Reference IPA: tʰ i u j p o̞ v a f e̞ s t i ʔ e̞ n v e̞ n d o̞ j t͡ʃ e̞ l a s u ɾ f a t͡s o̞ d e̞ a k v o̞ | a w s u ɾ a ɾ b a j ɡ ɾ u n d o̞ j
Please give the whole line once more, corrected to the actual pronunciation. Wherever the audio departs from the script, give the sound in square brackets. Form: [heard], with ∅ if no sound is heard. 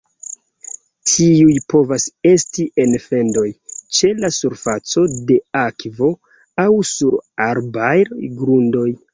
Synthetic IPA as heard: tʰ i u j p o̞ v a [s] e̞ s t i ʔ e̞ n [f] e̞ n d o̞ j t͡ʃ e̞ l a s u ɾ f a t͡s o̞ d e̞ a k v o̞ | a w s u ɾ a ɾ b a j ɡ ɾ u n d o̞ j